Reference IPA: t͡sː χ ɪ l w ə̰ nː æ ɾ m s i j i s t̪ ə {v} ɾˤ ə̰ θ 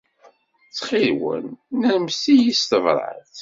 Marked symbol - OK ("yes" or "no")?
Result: yes